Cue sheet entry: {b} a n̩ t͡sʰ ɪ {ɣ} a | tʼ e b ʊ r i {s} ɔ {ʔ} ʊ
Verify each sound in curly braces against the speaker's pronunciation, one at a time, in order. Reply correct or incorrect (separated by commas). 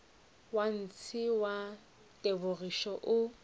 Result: incorrect, incorrect, incorrect, correct